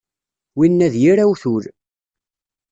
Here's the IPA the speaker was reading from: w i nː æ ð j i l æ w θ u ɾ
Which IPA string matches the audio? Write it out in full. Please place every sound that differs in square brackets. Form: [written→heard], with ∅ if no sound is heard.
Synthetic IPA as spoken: w i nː æ ð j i [l→ɾ] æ w θ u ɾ